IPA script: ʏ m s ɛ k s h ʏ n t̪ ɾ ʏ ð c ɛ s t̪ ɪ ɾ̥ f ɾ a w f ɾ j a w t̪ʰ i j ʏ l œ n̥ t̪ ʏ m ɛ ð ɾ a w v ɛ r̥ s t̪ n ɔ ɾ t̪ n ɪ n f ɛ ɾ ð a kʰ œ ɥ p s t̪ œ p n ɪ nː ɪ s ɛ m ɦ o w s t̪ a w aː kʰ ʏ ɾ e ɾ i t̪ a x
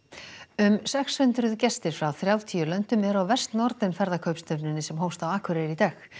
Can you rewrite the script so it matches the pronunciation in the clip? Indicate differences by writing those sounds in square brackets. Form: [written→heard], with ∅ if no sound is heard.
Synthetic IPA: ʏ m s ɛ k s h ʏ n t̪ ɾ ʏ ð c ɛ s t̪ ɪ ɾ̥ f ɾ a w [f→θ] ɾ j a w t̪ʰ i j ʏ l œ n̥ t̪ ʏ m ɛ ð ɾ a w v ɛ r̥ s t̪ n ɔ ɾ t̪ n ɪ n f ɛ ɾ ð a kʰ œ ɥ p s t̪ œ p n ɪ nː ɪ s ɛ m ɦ o w s t̪ a w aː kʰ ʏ ɾ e ɾ i t̪ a x